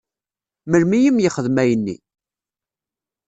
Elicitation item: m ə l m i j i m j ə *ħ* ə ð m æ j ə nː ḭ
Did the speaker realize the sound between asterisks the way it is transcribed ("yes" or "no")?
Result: no